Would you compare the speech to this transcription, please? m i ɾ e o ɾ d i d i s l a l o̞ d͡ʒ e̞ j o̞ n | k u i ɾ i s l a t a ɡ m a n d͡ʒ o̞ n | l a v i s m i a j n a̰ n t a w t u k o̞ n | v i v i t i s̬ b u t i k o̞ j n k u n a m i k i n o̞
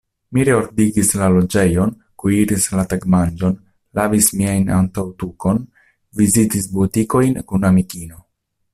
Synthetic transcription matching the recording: m i ɾ e o ɾ d i ɡ i s l a l o̞ d͡ʒ e̞ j o̞ n | k u i ɾ i s l a t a ɡ m a n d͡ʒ o̞ n | l a v i s m i a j n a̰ n t a w t u k o̞ n | v i z i t i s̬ b u t i k o̞ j n k u n a m i k i n o̞